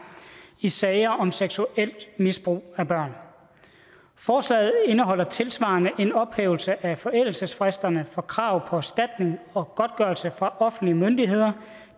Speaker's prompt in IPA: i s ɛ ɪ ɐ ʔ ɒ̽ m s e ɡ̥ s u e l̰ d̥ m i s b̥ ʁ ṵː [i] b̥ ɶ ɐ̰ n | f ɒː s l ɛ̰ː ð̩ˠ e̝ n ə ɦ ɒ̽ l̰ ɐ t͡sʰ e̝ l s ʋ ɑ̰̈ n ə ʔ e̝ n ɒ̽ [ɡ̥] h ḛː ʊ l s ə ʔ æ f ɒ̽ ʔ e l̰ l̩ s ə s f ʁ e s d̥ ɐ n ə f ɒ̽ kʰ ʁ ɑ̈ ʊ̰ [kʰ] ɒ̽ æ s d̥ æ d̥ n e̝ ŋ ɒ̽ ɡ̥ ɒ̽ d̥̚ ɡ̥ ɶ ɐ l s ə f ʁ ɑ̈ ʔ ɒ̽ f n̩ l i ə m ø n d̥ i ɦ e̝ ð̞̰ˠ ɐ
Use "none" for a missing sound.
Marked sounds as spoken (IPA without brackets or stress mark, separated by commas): æ, b̥, pʰ